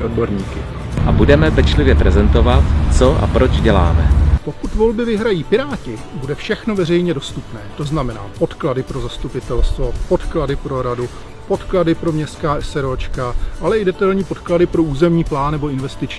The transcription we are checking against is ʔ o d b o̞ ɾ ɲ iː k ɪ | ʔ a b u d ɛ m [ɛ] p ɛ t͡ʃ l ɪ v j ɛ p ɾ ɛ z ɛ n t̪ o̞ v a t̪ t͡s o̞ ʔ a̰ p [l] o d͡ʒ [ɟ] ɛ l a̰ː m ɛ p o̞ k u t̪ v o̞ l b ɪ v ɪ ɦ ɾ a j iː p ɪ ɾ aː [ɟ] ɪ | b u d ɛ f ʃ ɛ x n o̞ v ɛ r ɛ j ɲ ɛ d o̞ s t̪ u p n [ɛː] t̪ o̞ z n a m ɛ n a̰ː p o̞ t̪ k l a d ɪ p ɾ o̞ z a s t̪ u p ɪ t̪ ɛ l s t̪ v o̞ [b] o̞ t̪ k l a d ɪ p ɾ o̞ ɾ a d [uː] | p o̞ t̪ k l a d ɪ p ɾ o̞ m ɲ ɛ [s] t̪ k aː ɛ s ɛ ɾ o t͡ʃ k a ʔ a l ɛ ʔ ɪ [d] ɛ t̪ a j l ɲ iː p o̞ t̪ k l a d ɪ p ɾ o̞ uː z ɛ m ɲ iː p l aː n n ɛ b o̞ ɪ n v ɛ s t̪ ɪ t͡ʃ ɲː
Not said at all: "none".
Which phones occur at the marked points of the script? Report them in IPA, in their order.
ɛ, ɾ, ɟ, c, ɛː, p, u, s, d

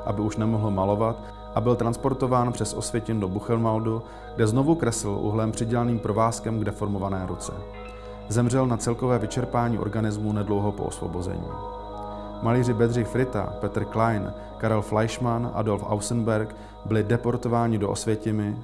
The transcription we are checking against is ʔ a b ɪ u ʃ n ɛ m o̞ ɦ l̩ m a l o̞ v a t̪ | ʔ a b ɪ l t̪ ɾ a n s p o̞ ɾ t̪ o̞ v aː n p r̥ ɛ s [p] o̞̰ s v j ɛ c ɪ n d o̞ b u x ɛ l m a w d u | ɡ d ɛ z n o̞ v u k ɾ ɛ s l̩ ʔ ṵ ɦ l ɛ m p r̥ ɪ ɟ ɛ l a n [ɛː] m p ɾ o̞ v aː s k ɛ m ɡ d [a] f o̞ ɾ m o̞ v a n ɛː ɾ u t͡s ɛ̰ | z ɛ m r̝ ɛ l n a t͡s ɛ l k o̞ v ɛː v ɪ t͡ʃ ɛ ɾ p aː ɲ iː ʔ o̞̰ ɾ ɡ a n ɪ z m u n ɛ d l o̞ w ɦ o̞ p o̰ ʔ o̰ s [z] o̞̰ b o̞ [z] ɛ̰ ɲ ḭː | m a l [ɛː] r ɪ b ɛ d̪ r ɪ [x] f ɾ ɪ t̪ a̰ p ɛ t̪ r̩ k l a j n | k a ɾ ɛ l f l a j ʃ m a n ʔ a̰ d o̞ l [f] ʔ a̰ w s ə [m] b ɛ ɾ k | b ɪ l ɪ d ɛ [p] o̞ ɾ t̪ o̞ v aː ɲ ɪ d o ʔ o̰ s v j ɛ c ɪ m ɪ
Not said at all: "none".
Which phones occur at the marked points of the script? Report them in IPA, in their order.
ʔ, iː, ɛ, v, z, iː, x, f, n, p

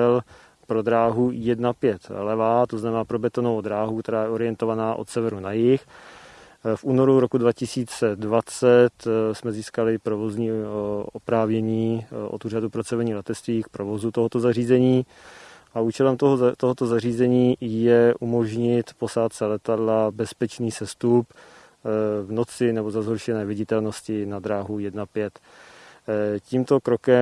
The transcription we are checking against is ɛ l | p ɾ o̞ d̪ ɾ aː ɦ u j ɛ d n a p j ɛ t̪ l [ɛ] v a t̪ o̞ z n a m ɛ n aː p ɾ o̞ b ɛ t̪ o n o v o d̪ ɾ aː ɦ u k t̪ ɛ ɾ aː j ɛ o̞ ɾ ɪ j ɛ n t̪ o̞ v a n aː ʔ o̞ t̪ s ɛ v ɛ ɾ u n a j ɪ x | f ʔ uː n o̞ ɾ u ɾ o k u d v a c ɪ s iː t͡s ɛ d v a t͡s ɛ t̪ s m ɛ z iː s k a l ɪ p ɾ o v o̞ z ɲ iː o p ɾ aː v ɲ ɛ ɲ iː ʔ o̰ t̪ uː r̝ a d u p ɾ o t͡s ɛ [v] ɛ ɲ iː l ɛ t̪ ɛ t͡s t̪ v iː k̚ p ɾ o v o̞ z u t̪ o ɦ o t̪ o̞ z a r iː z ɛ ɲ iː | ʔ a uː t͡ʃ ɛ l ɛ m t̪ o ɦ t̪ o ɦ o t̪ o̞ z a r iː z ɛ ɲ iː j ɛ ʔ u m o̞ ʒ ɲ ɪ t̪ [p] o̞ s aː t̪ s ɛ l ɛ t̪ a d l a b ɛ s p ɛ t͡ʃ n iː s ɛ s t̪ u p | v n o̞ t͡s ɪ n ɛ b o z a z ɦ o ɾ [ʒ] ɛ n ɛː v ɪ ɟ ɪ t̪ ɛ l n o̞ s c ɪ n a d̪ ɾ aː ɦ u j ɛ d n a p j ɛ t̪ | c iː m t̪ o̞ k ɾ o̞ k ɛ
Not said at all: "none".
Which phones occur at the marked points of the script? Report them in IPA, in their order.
ɛ, v, p, ʃ

